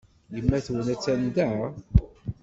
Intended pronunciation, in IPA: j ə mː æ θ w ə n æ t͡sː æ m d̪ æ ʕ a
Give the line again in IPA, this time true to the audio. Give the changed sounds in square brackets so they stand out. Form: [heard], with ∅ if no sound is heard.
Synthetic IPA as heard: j ə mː æ θ w ə n æ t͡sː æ [n] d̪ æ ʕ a